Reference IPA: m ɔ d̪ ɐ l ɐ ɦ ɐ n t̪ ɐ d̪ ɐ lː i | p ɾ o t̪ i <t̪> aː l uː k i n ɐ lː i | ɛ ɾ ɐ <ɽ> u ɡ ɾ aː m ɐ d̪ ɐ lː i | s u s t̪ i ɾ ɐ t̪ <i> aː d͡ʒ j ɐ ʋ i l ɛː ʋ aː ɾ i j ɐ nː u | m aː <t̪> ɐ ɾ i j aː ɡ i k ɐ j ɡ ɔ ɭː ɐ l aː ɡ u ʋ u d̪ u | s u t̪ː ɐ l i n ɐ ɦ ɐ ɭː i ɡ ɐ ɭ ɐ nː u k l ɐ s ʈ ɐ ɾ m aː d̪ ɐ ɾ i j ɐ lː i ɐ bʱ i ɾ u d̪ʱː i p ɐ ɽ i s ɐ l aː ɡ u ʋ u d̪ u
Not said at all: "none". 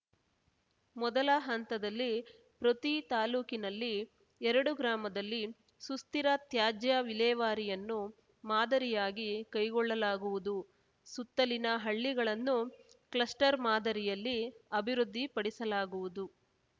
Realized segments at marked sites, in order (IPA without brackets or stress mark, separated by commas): t̪, ɽ, j, d̪